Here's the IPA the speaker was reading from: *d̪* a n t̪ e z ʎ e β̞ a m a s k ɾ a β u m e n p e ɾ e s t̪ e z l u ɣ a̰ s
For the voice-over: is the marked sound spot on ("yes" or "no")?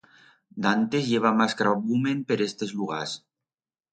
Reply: yes